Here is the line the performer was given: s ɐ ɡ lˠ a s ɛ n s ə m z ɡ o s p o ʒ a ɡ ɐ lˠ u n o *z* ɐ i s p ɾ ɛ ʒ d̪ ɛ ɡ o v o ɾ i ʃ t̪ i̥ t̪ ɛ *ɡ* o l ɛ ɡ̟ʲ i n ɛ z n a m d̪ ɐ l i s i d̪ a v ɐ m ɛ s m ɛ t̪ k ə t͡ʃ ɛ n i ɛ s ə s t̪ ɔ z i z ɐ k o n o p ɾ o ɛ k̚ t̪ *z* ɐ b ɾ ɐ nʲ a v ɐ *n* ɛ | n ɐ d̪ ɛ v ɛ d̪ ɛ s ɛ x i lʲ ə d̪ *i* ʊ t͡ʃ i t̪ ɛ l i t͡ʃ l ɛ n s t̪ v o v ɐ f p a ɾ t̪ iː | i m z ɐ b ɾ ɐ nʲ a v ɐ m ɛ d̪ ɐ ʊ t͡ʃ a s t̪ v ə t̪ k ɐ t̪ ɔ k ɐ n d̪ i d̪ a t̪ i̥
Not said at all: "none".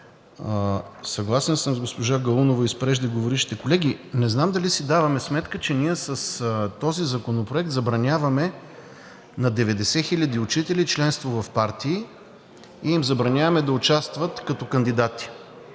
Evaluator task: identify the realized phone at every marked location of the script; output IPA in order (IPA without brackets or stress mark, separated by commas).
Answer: v, k, z, m, i